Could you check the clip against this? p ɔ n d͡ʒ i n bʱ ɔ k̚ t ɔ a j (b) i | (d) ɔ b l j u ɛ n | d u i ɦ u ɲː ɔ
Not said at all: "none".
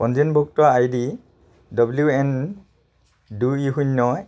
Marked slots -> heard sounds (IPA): d, d

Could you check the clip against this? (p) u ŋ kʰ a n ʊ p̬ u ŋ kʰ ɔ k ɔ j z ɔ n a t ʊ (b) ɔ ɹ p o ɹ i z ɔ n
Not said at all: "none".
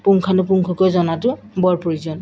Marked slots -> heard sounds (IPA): p, b

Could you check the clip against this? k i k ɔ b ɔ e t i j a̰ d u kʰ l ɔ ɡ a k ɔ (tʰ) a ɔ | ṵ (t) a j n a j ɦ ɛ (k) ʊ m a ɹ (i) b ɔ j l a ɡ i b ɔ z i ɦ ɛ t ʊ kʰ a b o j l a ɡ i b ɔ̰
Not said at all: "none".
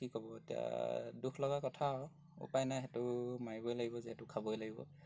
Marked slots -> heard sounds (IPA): tʰ, p, t, i

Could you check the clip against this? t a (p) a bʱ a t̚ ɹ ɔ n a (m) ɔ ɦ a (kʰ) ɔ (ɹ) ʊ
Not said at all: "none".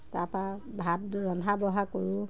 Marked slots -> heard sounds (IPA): p, b, k, ɹ

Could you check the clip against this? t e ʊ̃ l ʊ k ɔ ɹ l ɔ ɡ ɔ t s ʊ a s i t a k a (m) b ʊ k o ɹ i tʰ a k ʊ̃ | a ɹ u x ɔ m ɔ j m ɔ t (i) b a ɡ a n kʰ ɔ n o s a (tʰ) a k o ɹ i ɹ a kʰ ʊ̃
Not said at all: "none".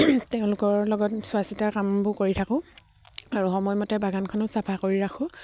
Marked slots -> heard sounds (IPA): m, ɛ, pʰ

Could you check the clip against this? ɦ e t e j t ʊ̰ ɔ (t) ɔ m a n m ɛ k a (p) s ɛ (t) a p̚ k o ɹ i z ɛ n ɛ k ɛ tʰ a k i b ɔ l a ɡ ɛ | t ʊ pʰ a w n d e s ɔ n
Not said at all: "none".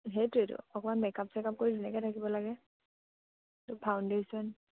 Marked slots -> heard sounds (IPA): k, p, k

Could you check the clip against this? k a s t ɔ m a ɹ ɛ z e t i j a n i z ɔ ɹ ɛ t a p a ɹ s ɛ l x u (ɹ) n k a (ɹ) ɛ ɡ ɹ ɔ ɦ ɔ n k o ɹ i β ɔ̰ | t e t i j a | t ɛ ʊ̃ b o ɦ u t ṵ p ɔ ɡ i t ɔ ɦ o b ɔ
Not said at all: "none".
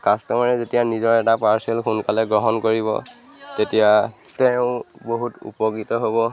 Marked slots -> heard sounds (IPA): none, l

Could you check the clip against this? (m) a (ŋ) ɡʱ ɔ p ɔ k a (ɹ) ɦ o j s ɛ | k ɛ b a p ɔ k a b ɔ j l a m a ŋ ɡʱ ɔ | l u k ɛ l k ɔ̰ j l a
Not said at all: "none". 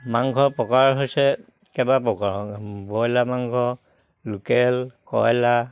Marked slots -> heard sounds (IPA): m, ŋ, ɹ

